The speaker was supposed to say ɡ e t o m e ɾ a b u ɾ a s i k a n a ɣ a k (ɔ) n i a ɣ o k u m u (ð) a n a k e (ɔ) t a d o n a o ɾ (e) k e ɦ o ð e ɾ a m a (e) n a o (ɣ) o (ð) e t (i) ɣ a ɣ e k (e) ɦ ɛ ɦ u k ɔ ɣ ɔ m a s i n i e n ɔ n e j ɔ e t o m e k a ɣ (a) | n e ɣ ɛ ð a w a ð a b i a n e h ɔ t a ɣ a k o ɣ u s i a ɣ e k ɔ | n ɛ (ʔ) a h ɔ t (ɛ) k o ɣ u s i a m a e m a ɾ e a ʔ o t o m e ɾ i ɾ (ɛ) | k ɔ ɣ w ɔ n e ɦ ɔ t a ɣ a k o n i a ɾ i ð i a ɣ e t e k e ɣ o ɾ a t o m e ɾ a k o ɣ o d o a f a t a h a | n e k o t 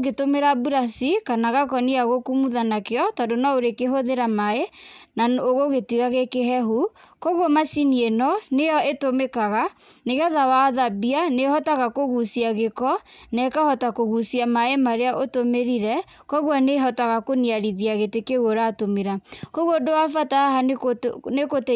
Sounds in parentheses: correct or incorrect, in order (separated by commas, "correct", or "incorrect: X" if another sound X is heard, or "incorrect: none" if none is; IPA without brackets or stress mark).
correct, correct, correct, correct, correct, correct, incorrect: ɣ, correct, correct, correct, incorrect: k, incorrect: a, correct